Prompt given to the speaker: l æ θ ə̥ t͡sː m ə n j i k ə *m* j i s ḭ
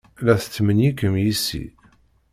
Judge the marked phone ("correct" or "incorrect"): correct